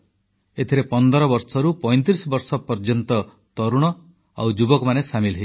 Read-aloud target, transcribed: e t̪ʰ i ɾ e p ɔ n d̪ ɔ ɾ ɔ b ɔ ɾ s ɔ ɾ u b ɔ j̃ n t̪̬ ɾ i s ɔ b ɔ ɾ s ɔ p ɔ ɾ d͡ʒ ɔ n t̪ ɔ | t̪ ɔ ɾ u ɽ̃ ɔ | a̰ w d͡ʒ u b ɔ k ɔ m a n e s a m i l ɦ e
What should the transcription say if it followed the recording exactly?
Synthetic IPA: e t̪ʰ i ɾ e p ɔ n d̪ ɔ ɾ ɔ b ɔ ɾ s ɔ ɾ u p ɔ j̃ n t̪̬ ɾ i s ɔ b ɔ ɾ s ɔ p ɔ ɾ d͡ʒ ɔ n t̪ ɔ | t̪ ɔ ɾ u ɽ̃ ɔ | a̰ w d͡ʒ u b ɔ k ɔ m a n e s a m i l ɦ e